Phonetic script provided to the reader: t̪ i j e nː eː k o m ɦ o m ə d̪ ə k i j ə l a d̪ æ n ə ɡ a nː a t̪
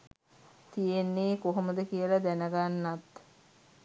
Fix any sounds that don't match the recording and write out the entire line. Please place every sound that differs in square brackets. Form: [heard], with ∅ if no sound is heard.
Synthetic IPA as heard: t̪ i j e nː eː k o [∅] ɦ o m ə d̪ ə k i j ə l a d̪ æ n ə ɡ a nː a t̪